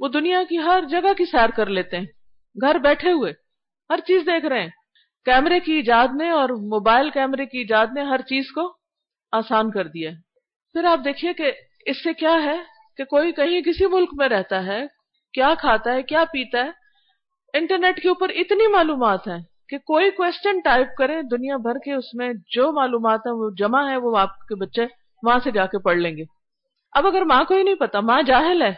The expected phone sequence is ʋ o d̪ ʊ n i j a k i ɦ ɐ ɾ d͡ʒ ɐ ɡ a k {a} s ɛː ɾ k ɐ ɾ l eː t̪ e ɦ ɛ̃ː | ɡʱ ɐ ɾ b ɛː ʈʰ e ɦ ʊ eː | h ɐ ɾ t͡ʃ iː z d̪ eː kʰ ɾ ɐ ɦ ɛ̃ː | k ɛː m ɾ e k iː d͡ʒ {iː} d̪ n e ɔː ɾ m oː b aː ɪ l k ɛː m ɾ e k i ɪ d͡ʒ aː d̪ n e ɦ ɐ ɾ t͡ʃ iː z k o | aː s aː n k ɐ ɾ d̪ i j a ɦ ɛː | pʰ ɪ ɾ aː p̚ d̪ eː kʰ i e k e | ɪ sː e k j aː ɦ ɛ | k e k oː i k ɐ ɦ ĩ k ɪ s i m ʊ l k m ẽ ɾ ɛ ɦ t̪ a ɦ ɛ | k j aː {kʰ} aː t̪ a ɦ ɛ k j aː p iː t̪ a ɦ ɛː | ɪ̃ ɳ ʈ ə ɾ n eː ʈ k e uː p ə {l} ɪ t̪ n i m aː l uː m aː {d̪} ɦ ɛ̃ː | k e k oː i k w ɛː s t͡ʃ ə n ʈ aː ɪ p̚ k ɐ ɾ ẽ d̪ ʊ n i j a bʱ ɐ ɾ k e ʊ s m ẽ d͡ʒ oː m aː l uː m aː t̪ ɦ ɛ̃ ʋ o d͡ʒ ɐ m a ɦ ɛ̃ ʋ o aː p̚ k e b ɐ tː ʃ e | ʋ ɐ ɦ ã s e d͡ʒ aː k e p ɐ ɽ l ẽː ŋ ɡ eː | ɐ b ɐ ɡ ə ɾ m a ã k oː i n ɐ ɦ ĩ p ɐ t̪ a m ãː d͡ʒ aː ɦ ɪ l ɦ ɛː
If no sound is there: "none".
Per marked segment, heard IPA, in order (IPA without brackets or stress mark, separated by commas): i, aː, kʰ, ɾ, t̪